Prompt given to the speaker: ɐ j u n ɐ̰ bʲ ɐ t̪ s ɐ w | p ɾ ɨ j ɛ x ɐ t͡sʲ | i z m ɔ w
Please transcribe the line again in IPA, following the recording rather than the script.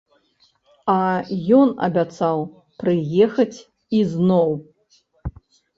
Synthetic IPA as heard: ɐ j ɔ n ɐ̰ bʲ a t̪ s a w | p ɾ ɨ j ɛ x ɐ t͡sʲ | i z n ɔ w